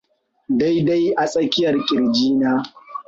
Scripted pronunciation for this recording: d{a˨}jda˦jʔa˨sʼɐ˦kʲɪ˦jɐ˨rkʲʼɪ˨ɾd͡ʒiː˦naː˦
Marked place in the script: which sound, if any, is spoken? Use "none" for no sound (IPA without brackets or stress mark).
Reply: a˦